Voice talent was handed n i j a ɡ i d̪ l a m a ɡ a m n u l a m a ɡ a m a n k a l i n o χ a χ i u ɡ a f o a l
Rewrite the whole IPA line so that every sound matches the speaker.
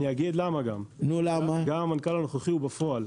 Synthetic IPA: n i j a ɡ i d̪ l a m a ɡ a m n u l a m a ɡ a m a n k a l a n o χ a χ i u b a f o a l